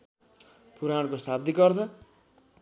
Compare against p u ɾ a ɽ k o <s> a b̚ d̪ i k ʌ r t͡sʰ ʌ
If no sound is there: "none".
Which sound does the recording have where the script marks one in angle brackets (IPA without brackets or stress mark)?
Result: s